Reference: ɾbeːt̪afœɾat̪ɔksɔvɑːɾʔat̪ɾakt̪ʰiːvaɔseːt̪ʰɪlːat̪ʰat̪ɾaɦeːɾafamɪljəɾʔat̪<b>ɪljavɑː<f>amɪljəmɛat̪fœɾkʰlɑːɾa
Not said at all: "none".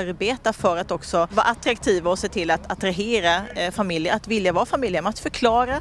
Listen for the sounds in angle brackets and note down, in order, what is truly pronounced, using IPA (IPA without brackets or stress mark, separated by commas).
v, f